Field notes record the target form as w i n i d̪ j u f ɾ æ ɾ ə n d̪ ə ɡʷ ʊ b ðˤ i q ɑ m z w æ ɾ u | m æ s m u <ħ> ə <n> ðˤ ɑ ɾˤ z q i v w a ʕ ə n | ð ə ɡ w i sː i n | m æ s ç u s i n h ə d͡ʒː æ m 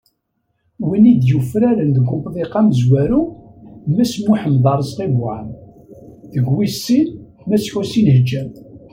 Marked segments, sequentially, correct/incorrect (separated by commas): correct, incorrect